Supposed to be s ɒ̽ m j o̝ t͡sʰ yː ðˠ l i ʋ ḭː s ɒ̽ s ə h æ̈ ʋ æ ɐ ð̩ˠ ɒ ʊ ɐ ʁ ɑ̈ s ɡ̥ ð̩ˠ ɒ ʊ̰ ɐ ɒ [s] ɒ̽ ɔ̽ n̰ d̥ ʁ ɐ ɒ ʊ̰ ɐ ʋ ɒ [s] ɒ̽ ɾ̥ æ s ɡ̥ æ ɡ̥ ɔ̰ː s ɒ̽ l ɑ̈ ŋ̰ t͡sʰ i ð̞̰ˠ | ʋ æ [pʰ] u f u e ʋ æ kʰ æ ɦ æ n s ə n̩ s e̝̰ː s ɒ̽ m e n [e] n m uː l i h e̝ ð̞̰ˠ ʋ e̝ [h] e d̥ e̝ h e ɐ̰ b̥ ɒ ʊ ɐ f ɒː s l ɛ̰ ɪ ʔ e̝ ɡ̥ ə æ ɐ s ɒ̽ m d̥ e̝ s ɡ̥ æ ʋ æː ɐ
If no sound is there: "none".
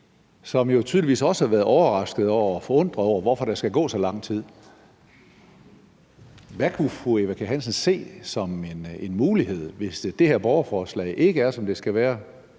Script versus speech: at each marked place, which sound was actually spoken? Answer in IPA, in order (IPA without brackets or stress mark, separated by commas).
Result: f, f, kʰ, e, s